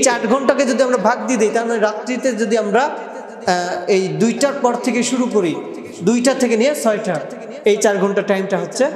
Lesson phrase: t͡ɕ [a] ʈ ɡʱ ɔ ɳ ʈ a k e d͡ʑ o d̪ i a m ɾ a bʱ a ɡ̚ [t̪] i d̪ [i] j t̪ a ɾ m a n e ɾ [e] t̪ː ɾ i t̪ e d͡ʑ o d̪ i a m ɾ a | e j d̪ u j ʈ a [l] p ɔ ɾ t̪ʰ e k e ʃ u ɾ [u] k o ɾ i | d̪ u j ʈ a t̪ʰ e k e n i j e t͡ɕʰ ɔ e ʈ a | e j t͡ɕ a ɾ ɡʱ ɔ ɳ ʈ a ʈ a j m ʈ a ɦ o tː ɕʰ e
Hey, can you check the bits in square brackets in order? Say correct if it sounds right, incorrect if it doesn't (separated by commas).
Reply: correct, incorrect, incorrect, incorrect, incorrect, correct